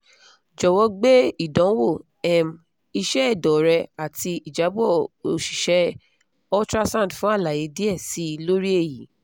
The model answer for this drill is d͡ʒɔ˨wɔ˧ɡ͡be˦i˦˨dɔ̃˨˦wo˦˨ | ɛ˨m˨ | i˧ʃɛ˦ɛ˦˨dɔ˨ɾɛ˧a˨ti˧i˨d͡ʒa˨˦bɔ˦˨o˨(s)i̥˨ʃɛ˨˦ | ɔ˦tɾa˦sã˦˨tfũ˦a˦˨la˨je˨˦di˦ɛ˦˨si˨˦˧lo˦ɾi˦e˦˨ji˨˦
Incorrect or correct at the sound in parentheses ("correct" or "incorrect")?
incorrect